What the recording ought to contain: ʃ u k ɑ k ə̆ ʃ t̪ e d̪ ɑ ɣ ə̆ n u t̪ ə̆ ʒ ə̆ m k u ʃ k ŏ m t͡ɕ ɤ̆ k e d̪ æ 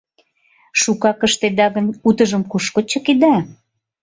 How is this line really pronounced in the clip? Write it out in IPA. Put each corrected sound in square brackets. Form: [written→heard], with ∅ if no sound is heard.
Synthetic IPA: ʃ u k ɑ k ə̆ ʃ t̪ e d̪ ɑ ɣ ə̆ n u t̪ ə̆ ʒ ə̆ m k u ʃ k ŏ [m→∅] t͡ɕ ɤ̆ k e d̪ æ